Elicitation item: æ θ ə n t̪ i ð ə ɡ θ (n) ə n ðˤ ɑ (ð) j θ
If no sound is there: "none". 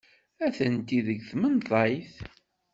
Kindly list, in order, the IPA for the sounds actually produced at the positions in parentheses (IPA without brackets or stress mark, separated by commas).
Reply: m, none